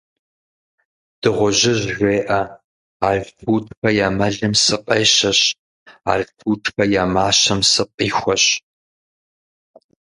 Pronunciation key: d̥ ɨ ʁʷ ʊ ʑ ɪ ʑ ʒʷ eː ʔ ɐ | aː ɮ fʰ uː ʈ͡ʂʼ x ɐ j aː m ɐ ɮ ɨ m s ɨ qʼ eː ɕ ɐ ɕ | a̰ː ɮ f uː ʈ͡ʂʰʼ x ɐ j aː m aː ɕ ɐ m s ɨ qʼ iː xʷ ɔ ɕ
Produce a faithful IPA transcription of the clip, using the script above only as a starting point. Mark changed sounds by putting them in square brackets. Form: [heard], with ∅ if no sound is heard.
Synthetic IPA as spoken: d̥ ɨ ʁʷ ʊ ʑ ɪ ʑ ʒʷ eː ʔ ɐ | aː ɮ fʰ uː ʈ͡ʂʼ x ɐ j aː m ɐ ɮ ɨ m s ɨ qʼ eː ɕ ɐ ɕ | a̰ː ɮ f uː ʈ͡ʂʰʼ x ɐ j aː m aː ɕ ɐ m s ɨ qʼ iː xʷ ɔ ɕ